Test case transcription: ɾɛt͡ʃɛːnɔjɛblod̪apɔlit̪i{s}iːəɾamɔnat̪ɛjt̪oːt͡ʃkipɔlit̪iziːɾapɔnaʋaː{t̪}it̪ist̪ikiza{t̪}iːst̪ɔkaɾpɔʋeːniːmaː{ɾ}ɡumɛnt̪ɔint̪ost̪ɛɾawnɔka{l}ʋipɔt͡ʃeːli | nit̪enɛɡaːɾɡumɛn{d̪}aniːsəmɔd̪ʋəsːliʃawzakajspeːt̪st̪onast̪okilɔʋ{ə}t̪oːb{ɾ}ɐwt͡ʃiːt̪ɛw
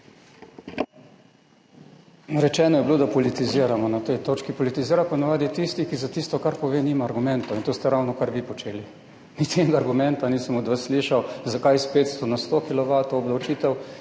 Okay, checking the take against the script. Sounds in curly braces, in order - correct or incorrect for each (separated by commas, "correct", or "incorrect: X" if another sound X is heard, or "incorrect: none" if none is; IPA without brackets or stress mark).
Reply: incorrect: z, incorrect: d̪, correct, correct, incorrect: ɾ, incorrect: t̪, incorrect: a, incorrect: l